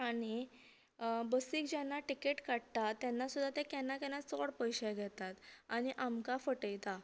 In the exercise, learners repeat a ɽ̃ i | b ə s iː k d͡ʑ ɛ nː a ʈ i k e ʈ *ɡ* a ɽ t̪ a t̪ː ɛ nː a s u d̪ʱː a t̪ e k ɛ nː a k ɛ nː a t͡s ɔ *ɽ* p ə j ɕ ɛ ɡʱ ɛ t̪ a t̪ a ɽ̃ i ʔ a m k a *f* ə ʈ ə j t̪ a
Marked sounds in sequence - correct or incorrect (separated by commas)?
incorrect, correct, correct